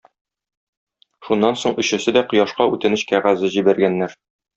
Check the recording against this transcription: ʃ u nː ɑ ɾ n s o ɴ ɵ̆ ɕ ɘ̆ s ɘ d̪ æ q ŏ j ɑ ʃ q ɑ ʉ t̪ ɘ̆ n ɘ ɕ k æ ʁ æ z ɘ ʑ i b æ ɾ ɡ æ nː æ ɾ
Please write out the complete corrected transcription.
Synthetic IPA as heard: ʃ u nː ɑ n s o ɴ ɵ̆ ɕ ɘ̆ s ɘ d̪ æ q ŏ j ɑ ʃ q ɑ ʉ t̪ ɘ̆ n ɘ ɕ k æ ʁ æ z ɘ ʑ i b æ ɾ ɡ æ nː æ ɾ